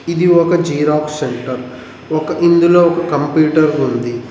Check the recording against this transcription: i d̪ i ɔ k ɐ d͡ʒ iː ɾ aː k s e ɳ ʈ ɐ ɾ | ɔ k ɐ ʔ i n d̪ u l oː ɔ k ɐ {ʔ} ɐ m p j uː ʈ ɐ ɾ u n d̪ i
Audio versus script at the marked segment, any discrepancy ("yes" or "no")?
yes